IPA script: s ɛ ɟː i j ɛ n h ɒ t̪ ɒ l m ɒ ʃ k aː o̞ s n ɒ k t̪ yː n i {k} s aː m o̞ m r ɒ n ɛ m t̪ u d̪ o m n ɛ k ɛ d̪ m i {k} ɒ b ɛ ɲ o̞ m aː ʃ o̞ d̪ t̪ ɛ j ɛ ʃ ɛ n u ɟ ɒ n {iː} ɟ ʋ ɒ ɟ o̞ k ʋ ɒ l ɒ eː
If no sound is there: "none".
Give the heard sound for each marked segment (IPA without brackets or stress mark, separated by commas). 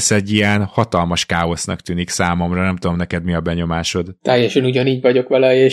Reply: k, none, iː